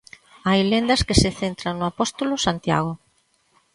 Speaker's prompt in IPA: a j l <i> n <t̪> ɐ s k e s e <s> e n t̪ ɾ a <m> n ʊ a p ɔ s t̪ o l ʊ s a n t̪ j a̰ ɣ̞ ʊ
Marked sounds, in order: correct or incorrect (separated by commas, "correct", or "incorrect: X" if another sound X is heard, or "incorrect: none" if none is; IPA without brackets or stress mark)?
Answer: incorrect: e, incorrect: d̪, incorrect: θ, incorrect: ŋ